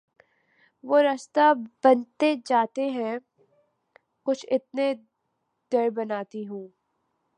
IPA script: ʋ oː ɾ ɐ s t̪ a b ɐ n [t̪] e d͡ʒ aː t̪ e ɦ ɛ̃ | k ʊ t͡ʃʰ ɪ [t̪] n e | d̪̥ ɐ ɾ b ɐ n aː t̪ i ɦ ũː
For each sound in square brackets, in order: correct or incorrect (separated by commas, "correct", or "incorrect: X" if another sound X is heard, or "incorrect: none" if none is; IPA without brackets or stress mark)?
correct, correct